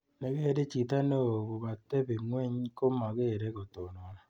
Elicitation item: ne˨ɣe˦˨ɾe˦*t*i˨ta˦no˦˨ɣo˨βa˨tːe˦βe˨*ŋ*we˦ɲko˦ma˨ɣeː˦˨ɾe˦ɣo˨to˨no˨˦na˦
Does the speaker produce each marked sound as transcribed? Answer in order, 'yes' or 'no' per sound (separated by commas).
no, yes